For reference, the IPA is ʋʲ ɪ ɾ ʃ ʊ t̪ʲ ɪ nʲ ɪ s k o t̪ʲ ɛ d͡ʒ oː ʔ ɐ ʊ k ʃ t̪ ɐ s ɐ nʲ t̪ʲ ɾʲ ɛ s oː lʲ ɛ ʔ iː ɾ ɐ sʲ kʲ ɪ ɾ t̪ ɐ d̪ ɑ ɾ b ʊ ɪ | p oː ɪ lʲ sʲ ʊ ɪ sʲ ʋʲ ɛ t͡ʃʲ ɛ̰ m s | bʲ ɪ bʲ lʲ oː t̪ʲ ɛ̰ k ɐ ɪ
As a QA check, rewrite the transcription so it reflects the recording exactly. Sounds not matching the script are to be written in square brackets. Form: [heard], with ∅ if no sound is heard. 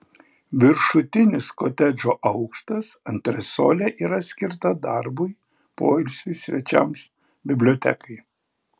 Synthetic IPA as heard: ʋʲ ɪ ɾ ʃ ʊ t̪ʲ ɪ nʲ ɪ s k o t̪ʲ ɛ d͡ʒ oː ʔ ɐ ʊ k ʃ t̪ ɐ s ɐ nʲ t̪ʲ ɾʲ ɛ s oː lʲ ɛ ʔ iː ɾ ɐ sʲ kʲ ɪ ɾ t̪ ɐ d̪ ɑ ɾ b ʊ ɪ | p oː ɪ lʲ sʲ ʊ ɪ sʲ ʋʲ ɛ t͡ʃʲ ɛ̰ m s | bʲ ɪ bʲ lʲ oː t̪ʲ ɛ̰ k ɐ ɪ